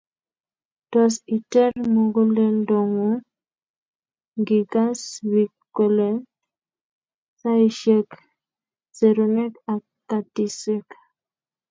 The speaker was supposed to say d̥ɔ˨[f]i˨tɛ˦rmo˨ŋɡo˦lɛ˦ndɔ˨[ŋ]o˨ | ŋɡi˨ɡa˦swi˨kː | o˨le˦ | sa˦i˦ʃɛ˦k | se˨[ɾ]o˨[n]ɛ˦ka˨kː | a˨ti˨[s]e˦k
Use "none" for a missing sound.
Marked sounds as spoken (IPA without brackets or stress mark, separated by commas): s, ŋ, ɾ, n, s